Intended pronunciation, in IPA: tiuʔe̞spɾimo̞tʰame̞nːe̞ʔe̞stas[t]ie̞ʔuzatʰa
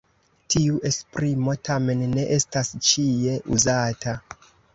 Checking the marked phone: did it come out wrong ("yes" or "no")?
yes